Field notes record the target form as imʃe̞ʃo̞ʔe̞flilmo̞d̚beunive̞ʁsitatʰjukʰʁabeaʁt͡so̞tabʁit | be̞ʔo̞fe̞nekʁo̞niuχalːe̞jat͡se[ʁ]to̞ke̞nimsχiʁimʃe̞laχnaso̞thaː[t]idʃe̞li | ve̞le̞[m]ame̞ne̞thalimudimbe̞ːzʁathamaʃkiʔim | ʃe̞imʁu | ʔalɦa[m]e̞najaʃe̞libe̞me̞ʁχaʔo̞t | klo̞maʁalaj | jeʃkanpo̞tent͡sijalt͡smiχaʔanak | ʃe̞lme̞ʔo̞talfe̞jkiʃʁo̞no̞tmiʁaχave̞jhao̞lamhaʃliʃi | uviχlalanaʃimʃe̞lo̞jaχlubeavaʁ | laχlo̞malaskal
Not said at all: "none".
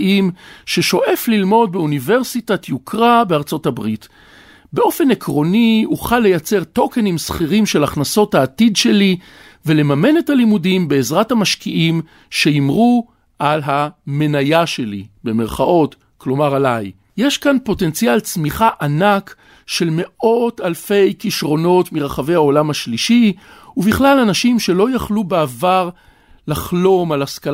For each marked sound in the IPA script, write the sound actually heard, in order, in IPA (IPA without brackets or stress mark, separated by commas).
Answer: ʁ, t, m, m